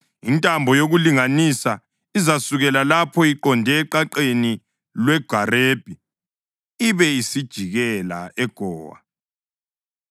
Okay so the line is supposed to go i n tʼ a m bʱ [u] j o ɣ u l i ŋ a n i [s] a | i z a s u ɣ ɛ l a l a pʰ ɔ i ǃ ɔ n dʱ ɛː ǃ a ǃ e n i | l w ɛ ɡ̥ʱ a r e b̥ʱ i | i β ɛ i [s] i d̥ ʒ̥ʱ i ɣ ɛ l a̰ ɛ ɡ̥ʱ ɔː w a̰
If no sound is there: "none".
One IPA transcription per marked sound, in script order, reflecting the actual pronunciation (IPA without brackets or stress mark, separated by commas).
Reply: ɔ, s, s